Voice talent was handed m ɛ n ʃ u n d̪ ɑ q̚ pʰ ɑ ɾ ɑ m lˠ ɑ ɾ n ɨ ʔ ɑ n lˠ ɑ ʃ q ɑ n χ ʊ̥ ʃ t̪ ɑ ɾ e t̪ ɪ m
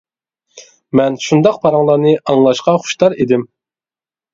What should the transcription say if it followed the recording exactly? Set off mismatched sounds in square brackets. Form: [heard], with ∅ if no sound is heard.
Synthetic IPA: m ɛ n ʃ u n d̪ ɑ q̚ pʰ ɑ ɾ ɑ [ŋ] lˠ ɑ ɾ n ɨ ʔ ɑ [ŋ] lˠ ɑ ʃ q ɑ [∅] χ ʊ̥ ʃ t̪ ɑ ɾ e [d̪] ɪ m